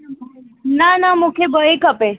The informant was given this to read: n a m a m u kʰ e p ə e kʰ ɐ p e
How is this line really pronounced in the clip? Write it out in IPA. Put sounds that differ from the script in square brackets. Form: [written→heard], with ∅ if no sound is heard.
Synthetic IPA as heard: n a [m→n] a m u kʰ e [p→b] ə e [kʰ→k] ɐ p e

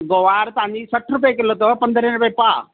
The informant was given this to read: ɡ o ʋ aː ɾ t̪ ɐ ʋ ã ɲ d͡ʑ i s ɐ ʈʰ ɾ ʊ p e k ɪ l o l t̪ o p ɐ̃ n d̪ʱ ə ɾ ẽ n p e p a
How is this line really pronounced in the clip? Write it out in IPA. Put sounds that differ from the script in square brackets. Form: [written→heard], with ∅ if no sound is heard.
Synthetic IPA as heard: ɡ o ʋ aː ɾ t̪ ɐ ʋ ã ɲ d͡ʑ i s ɐ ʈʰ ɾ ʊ p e k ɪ l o [l→∅] t̪ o p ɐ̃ n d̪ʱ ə ɾ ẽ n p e p a

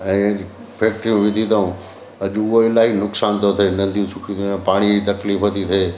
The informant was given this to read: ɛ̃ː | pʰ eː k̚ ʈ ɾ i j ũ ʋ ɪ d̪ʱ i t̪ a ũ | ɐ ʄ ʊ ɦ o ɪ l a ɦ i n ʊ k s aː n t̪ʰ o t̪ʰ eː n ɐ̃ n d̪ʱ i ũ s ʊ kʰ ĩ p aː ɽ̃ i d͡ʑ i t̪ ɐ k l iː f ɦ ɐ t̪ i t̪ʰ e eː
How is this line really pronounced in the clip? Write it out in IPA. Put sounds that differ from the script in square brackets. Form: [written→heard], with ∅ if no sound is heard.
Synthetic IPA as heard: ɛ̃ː | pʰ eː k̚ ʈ ɾ i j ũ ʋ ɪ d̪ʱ i t̪ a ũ | ɐ ʄ ʊ ɦ o ɪ l a ɦ i n ʊ k s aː n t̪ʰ o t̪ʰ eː n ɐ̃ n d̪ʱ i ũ s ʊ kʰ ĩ p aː ɽ̃ i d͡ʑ i t̪ ɐ k l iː f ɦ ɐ t̪ i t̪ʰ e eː

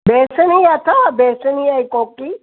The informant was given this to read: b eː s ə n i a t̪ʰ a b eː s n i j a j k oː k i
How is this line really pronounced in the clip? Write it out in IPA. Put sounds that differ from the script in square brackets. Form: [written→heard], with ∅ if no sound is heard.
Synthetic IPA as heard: b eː s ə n i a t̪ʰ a b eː s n i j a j k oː k i

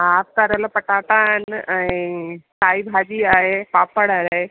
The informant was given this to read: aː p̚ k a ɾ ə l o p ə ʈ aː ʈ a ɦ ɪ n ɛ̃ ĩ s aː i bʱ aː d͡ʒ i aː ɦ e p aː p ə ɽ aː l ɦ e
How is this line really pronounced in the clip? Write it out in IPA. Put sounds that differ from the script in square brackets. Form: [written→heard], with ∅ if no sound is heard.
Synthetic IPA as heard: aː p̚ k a ɾ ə l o p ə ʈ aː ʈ a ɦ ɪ n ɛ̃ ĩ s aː i bʱ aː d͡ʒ i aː ɦ e p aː p ə ɽ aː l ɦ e

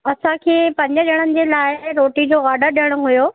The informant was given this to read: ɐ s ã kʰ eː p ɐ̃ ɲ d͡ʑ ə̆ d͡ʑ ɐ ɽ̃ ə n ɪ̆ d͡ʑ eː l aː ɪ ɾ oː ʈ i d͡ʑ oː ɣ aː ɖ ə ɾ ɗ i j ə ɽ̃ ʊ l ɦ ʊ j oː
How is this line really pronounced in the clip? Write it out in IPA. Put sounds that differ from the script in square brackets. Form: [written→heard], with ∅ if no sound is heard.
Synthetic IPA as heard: ɐ s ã kʰ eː p ɐ̃ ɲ d͡ʑ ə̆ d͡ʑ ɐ ɽ̃ ə n ɪ̆ d͡ʑ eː l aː ɪ ɾ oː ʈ i d͡ʑ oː ɣ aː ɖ ə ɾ ɗ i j ə ɽ̃ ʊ [l→∅] ɦ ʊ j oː

